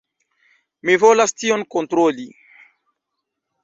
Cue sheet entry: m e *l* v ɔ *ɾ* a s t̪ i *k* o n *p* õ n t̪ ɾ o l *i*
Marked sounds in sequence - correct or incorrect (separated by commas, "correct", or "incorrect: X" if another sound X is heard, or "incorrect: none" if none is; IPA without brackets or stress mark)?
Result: incorrect: none, incorrect: l, incorrect: none, incorrect: k, correct